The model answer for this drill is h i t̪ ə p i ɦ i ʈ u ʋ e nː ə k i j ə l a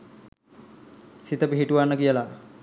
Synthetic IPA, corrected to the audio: s i t̪ ə p i ɦ i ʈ u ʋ a nː ə k i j ə l a